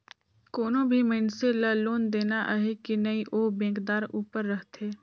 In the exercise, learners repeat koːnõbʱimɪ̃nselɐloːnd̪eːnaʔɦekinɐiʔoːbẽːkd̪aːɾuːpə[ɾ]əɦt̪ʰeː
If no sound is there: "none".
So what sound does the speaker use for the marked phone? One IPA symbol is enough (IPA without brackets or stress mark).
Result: ɾː